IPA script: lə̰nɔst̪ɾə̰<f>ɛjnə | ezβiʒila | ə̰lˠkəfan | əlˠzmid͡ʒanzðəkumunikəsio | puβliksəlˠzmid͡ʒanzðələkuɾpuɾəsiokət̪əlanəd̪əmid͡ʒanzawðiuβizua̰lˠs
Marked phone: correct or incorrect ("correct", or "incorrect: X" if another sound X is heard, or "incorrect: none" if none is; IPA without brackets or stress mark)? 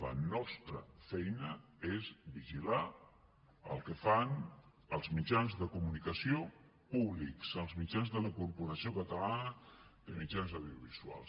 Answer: correct